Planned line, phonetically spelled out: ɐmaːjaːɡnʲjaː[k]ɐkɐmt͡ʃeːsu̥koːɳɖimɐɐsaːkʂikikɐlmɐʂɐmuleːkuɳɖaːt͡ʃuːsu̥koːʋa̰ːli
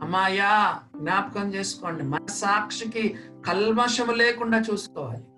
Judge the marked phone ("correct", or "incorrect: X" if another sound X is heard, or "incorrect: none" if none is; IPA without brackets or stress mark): incorrect: p